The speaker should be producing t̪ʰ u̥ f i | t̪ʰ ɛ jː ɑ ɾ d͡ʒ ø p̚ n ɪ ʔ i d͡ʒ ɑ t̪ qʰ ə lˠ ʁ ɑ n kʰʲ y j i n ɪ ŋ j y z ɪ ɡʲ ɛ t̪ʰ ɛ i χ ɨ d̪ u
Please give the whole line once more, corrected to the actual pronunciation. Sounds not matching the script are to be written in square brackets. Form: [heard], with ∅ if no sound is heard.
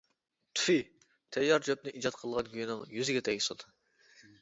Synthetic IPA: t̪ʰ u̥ f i | t̪ʰ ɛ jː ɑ ɾ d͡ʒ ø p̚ n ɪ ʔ i d͡ʒ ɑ t̪ qʰ ə lˠ ʁ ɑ n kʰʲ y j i n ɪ ŋ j y z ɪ ɡʲ ɛ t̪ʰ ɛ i [s] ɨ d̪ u